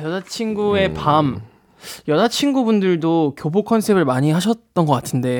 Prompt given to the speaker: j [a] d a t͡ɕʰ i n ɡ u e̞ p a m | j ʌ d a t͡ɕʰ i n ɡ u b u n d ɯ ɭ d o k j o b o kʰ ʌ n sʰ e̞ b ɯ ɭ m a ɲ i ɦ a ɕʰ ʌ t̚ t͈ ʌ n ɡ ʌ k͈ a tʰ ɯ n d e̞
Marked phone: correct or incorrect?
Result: incorrect